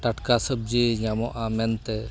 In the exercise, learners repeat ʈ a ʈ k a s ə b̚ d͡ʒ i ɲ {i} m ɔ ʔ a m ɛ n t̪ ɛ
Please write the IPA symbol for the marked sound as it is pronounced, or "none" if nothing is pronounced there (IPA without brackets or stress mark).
a